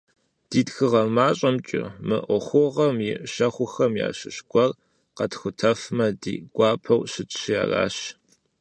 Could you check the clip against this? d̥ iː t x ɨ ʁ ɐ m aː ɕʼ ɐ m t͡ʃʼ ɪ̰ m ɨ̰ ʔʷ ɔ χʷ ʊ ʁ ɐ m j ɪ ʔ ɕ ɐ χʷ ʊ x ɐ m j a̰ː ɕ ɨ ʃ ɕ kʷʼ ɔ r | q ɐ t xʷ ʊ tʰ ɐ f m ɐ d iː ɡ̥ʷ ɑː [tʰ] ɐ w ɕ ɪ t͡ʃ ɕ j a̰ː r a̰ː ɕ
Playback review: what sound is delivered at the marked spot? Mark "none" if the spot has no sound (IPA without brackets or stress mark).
pʰ